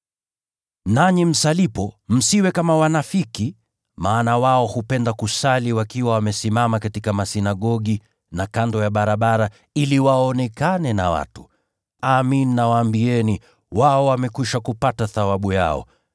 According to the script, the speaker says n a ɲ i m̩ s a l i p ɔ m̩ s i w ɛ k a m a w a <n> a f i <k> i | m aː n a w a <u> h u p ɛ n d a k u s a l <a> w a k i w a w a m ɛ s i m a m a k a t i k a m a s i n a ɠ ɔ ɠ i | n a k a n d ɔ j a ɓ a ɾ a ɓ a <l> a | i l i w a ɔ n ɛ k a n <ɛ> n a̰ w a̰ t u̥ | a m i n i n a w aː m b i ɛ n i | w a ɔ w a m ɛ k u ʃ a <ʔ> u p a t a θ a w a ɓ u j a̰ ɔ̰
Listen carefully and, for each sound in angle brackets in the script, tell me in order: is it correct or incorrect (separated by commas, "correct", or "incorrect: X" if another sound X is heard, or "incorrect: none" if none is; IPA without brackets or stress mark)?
correct, correct, incorrect: ɔ, incorrect: i, incorrect: ɾ, correct, incorrect: k